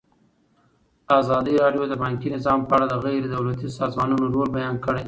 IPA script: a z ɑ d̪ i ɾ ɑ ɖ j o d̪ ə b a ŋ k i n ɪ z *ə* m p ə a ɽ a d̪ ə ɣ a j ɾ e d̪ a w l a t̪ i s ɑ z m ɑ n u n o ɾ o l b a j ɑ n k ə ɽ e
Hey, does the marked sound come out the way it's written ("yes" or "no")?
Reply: no